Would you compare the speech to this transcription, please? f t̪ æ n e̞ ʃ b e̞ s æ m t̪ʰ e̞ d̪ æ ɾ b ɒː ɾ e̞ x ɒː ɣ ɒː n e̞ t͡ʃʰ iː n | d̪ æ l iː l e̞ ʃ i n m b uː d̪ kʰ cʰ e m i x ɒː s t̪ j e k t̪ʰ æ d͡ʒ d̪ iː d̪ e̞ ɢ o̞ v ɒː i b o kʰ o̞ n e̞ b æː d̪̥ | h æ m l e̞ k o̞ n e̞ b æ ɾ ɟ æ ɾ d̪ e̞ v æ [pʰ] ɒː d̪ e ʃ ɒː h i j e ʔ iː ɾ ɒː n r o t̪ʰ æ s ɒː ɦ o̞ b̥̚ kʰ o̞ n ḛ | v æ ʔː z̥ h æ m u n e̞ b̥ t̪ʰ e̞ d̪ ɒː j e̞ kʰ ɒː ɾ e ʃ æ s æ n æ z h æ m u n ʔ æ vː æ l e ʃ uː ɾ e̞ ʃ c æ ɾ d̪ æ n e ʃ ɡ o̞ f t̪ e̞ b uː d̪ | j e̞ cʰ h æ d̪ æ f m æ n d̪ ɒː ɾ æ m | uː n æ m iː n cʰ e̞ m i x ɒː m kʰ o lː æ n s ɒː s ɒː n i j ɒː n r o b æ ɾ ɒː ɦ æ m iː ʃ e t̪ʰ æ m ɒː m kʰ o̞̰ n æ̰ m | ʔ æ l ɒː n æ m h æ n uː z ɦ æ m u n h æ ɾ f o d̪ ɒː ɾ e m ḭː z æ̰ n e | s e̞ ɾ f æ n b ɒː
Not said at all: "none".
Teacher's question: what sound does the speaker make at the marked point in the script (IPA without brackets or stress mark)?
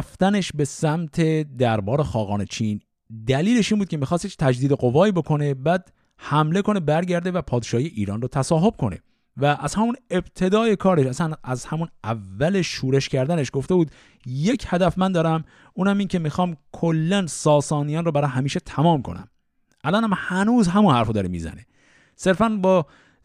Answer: pʰ